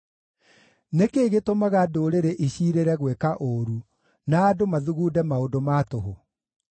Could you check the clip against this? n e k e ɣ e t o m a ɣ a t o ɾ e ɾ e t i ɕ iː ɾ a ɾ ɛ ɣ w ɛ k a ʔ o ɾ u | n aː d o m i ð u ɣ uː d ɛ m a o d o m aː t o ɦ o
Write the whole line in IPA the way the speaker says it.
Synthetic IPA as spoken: n e k e ɣ e t o m a ɣ a d o ɾ e ɾ e ʔ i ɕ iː ɾ e ɾ ɛ ɣ w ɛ k a ʔ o ɾ u | n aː d o m a ð u ɣ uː d ɛ m a o d o m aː t o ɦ o